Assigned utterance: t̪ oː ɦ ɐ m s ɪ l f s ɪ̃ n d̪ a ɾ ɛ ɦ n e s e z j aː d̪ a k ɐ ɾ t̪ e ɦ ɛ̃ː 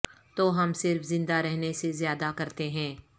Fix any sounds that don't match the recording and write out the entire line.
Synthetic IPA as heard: t̪ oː ɦ ɐ m s ɪ ɾ f z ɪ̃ n d̪ a ɾ ɛ ɦ n e s e z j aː d̪ a k ɐ ɾ t̪ e ɦ ɛ̃ː